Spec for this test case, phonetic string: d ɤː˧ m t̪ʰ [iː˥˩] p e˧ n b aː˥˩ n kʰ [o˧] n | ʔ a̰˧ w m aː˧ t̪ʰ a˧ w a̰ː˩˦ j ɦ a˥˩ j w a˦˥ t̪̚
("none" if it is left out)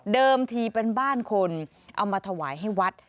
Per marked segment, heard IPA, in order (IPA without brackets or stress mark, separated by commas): iː˧, o˧